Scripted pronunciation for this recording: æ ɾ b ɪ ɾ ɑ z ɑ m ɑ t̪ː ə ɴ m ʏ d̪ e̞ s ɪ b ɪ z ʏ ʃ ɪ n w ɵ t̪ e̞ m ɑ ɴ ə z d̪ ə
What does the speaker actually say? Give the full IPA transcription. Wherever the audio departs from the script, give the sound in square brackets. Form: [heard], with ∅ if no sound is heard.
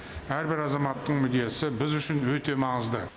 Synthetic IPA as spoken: æ ɾ b ɪ ɾ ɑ z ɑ m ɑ t̪ː ə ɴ m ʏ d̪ e̞ s ɪ b ɪ z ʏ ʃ ɪ n w ɵ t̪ e̞ m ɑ ɴ ə z d̪ ə

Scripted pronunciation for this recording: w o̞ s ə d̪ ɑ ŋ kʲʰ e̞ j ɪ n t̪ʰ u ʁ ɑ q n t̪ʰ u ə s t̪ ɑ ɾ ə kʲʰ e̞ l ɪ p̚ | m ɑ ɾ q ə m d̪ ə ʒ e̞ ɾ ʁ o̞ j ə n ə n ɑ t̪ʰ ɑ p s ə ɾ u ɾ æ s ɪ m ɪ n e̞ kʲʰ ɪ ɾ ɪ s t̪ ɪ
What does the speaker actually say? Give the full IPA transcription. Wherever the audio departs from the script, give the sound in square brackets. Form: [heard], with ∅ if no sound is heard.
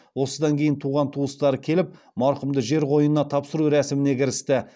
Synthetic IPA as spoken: w o̞ s ə d̪ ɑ ŋ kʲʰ e̞ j ɪ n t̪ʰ u ʁ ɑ [∅] n t̪ʰ u ə s t̪ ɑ ɾ ə kʲʰ e̞ l ɪ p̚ | m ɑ ɾ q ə m d̪ ə ʒ e̞ ɾ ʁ o̞ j ə n ə n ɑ t̪ʰ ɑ p s ə ɾ u ɾ æ s ɪ m ɪ n e̞ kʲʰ ɪ ɾ ɪ s t̪ ɪ

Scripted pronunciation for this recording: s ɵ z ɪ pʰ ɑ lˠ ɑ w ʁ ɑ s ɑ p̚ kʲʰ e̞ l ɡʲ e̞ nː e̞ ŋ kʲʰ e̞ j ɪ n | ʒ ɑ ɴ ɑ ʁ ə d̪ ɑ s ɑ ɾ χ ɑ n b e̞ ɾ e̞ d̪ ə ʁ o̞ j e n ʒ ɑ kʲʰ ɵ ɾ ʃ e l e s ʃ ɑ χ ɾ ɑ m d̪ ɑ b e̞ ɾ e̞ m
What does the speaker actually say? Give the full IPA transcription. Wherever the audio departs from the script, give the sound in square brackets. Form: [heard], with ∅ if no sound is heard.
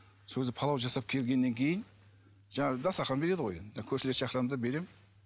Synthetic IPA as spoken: s ɵ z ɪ pʰ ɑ lˠ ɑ w [ʒ] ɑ s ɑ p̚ kʲʰ e̞ l ɡʲ e̞ nː e̞ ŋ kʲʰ e̞ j ɪ n | ʒ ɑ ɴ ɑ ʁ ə d̪ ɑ s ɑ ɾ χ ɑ n b e̞ ɾ e̞ d̪ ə ʁ o̞ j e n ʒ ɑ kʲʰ ɵ ɾ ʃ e l e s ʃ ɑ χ ɾ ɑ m d̪ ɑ b e̞ ɾ e̞ m

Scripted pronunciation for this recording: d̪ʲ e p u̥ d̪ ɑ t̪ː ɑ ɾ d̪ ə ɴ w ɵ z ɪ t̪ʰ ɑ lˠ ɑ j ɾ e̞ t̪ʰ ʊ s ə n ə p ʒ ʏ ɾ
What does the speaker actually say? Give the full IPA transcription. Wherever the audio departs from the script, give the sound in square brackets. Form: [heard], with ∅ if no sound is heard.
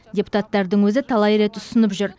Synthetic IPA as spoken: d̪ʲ e p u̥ [t̪] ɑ t̪ː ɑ ɾ d̪ ə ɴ w ɵ z ɪ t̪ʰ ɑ lˠ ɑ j ɾ e̞ [t̪] ʊ s ə n ə p ʒ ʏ ɾ

